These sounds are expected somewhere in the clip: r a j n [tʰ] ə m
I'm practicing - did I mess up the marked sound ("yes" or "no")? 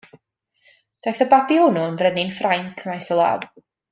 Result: yes